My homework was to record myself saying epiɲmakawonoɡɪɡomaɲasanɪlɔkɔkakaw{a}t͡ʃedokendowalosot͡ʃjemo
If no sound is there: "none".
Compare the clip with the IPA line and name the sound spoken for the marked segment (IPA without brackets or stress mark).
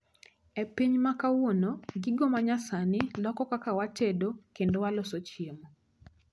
a